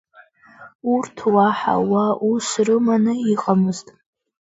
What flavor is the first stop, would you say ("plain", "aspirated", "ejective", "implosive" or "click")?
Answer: aspirated